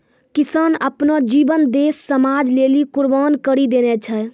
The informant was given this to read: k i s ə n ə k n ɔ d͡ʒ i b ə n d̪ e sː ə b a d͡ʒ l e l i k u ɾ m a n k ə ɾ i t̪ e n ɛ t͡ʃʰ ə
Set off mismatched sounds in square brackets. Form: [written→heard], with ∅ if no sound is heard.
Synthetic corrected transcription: k i s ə n ə [k→p] n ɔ d͡ʒ i b ə n d̪ e sː ə [b→m] a d͡ʒ l e l i k u ɾ [m→b] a n k ə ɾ i [t̪→d̪] e n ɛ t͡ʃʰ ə